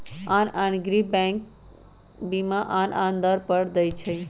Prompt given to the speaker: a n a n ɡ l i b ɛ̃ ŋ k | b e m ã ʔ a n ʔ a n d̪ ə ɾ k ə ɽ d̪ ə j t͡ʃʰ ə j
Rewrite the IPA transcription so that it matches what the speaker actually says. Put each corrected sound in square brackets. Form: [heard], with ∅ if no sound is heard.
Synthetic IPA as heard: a n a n ɡ [ɾ] i b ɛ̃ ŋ k | b [i] m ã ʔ a n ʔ a n d̪ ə ɾ [p] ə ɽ d̪ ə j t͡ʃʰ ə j